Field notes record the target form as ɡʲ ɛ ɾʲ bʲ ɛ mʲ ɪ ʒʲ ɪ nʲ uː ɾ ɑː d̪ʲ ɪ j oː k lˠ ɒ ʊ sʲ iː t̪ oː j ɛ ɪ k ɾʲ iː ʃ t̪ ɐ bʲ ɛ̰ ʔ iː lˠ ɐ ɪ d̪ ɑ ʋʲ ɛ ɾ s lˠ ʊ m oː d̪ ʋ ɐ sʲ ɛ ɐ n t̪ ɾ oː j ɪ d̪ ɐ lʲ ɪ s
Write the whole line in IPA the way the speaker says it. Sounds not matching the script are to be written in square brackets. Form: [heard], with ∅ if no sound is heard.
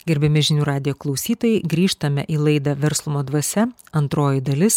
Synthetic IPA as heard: ɡʲ ɛ ɾʲ bʲ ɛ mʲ ɪ ʒʲ ɪ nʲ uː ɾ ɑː d̪ʲ ɪ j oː k lˠ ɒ ʊ sʲ iː t̪ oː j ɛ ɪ [ɡ] ɾʲ iː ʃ t̪ ɐ [mʲ] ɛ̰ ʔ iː lˠ ɐ ɪ d̪ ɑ ʋʲ ɛ ɾ s lˠ ʊ m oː d̪ ʋ ɐ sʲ ɛ ɐ n t̪ ɾ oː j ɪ d̪ ɐ lʲ ɪ s